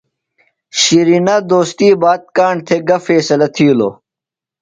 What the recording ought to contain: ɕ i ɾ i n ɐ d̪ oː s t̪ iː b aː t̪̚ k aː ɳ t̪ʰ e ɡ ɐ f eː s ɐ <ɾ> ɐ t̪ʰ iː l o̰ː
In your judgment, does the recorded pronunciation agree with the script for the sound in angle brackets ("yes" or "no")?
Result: no